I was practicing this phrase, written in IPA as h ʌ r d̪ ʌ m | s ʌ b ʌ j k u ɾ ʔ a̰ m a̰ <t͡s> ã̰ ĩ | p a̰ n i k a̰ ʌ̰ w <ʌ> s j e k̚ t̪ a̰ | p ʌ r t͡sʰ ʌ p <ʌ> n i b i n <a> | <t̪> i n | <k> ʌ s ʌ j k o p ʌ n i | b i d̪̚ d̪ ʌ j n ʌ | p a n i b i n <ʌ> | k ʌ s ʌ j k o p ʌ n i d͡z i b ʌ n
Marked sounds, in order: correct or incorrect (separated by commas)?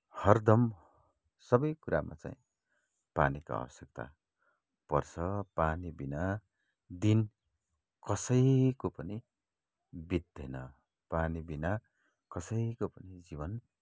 correct, correct, incorrect, correct, incorrect, correct, incorrect